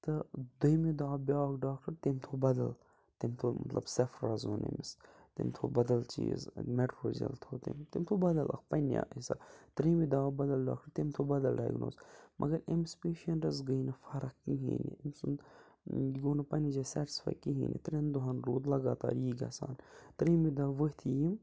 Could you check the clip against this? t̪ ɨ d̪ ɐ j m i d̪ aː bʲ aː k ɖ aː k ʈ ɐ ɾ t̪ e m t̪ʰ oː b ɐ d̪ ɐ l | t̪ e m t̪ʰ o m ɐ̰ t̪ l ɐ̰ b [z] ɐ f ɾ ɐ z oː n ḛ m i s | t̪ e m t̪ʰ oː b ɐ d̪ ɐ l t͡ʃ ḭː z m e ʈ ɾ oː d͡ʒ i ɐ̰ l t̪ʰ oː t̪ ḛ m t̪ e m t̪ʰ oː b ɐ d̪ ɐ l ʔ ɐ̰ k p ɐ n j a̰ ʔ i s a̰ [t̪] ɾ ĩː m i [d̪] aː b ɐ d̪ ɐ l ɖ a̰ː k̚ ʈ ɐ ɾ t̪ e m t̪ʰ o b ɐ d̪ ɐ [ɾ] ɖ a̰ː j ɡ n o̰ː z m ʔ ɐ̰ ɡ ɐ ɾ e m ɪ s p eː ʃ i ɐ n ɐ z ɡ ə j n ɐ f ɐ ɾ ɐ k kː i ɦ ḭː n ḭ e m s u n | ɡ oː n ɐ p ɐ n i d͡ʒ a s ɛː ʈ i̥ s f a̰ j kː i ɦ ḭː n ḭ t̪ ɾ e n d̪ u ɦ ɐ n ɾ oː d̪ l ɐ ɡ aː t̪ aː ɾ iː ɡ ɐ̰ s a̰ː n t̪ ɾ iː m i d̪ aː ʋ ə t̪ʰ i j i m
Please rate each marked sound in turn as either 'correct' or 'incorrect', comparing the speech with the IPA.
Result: incorrect, correct, correct, incorrect

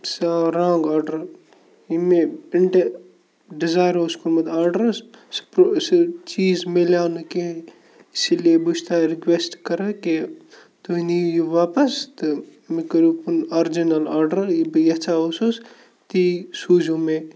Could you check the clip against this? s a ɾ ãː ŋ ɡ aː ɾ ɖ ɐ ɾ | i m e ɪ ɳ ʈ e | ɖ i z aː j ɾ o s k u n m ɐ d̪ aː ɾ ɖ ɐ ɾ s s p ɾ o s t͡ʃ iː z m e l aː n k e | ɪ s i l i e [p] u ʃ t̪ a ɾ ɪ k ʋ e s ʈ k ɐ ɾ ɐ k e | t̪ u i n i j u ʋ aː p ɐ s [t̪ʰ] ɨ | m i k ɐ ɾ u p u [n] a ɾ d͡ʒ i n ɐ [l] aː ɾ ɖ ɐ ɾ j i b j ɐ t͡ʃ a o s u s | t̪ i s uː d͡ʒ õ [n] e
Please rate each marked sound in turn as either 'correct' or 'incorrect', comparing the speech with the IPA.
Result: incorrect, incorrect, correct, correct, incorrect

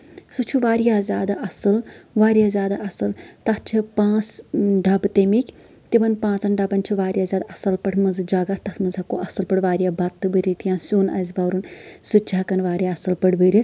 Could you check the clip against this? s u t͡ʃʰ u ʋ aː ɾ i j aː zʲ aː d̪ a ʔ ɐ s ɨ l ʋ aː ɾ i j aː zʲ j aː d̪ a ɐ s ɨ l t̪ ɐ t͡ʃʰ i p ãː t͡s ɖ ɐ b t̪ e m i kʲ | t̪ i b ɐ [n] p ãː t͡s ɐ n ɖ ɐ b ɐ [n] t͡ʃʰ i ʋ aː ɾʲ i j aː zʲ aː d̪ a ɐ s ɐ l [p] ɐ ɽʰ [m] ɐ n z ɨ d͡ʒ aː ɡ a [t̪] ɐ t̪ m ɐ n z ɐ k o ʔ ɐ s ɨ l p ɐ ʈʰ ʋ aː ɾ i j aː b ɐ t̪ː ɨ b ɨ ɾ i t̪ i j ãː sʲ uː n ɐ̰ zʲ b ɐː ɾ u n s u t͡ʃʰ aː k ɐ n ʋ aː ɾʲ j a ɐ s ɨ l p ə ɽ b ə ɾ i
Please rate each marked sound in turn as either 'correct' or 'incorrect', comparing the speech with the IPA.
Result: correct, correct, correct, correct, correct

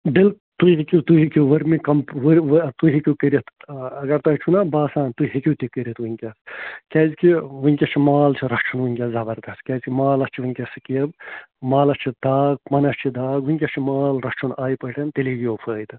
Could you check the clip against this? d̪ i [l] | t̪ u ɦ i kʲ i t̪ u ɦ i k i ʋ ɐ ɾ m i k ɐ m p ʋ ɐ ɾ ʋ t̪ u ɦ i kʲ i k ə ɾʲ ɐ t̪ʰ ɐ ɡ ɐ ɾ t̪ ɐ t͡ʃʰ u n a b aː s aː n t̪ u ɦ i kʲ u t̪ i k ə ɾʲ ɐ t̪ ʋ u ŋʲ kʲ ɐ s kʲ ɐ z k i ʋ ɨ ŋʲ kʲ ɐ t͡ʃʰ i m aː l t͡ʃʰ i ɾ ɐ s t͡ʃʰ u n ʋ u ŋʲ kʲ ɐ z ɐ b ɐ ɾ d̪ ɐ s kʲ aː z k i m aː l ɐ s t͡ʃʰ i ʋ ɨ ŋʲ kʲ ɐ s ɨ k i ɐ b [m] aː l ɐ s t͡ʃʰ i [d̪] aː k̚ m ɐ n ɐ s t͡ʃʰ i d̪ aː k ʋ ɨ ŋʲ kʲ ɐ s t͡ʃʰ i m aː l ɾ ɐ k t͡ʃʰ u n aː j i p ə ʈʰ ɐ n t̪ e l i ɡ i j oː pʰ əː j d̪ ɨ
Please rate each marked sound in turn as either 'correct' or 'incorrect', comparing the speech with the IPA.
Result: correct, correct, correct

